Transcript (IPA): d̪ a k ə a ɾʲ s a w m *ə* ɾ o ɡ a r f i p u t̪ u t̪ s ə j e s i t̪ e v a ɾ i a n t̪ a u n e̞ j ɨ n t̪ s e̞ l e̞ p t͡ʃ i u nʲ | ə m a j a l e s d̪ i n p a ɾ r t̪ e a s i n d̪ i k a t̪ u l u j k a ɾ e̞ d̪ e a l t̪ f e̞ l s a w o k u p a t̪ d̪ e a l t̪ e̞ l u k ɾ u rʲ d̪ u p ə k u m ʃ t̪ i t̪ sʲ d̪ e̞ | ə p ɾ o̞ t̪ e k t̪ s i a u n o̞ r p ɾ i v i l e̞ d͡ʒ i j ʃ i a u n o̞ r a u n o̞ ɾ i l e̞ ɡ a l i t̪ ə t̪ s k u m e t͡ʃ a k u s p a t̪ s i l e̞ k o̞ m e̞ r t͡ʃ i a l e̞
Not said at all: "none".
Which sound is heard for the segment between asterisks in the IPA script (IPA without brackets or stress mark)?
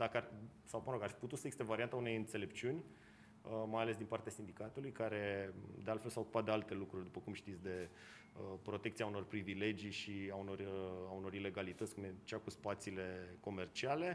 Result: ə